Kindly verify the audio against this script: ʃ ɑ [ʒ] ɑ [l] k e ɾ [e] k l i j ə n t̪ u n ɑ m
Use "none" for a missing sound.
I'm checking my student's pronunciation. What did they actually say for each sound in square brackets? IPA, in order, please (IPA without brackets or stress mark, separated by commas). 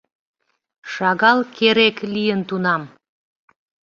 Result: ɣ, l, e